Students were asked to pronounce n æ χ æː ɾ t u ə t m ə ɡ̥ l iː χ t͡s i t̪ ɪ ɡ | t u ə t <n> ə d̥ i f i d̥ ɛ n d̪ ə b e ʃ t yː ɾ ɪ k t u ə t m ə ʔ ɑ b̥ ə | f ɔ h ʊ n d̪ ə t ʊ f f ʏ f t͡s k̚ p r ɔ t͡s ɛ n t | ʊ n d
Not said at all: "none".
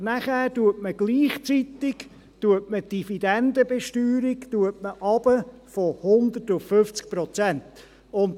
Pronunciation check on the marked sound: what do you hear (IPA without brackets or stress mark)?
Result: m